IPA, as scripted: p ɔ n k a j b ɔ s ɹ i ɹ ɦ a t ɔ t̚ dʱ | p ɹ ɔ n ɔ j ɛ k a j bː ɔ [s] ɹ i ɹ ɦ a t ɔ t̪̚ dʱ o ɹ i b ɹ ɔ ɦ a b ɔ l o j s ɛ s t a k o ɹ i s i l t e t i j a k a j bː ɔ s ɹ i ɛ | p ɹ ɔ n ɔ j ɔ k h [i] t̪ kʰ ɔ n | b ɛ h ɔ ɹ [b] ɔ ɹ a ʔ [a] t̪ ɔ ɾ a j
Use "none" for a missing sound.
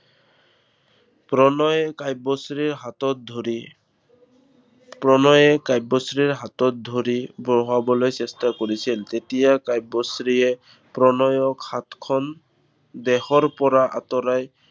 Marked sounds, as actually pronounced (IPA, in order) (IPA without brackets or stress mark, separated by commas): s, a, p, a